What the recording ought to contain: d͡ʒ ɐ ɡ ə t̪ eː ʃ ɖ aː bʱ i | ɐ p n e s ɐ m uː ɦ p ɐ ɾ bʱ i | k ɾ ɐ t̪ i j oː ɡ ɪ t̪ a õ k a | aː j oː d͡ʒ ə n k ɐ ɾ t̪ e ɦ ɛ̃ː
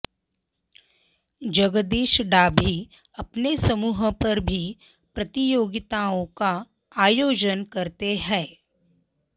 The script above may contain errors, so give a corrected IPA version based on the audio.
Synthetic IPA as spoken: d͡ʒ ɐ ɡ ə d̪ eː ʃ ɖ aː bʱ i | ɐ p n e s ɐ m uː ɦ p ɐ ɾ bʱ i | p ɾ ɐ t̪ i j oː ɡ ɪ t̪ a õ k a | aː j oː d͡ʒ ə n k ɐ ɾ t̪ e ɦ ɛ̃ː